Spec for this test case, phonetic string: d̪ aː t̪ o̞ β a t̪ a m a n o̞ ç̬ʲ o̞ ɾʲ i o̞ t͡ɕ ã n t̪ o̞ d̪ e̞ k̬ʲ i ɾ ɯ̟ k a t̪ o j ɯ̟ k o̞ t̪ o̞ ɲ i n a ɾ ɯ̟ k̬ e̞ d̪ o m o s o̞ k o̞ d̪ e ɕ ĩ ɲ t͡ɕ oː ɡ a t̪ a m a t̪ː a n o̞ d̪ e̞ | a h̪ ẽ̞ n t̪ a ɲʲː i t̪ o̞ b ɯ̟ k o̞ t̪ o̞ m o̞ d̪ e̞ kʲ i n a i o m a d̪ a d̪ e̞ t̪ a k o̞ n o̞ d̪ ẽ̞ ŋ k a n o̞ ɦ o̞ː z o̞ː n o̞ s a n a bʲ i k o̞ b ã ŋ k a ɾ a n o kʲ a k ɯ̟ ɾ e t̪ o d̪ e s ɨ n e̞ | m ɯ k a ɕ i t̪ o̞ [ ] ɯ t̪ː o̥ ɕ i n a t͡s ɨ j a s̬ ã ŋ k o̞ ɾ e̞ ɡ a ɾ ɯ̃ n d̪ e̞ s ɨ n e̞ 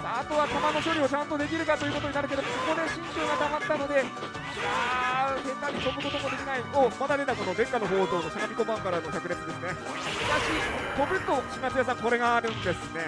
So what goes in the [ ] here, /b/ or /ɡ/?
b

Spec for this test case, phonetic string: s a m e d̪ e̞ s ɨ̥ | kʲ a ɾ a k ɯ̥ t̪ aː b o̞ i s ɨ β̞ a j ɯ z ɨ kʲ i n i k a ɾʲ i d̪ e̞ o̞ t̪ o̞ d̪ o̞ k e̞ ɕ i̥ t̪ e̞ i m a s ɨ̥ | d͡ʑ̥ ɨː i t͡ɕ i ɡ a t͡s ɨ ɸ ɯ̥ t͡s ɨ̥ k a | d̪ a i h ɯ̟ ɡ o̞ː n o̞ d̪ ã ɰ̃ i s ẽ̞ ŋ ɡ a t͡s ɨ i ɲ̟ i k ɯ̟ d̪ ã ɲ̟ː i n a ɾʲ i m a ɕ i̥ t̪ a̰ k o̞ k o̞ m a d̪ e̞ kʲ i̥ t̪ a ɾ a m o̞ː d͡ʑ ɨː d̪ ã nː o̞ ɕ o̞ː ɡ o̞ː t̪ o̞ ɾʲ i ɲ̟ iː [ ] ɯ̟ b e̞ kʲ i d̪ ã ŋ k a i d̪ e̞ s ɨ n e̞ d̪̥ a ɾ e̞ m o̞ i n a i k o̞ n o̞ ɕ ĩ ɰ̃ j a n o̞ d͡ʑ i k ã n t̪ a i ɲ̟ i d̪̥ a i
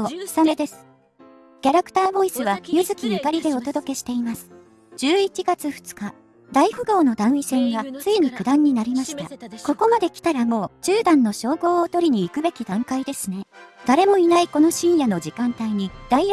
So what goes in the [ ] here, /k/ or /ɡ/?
k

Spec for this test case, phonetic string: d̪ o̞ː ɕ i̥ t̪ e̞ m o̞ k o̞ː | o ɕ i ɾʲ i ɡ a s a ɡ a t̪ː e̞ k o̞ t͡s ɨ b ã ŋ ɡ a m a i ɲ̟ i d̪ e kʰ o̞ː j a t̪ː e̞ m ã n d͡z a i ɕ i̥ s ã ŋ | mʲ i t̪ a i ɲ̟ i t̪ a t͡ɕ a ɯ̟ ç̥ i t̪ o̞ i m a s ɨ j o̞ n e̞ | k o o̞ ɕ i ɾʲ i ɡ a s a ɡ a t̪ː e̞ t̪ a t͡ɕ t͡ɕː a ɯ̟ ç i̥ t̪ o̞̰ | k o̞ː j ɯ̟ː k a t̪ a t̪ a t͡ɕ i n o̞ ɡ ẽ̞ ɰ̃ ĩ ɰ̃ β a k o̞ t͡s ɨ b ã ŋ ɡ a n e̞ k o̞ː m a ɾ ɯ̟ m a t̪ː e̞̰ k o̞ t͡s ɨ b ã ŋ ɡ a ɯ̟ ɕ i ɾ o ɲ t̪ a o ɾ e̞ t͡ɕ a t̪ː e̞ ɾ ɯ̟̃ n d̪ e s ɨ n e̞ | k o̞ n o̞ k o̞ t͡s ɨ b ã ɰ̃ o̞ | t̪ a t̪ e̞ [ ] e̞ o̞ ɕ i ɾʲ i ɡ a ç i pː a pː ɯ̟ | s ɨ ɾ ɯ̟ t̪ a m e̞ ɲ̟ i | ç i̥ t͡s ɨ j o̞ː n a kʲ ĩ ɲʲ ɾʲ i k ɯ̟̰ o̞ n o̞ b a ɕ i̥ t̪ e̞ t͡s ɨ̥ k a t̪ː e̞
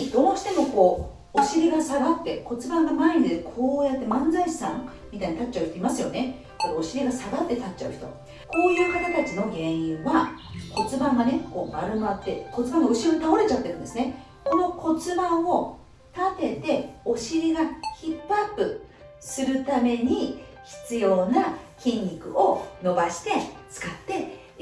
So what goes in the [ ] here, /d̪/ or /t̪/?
t̪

